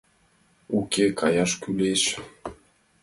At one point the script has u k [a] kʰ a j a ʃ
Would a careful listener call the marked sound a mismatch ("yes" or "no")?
yes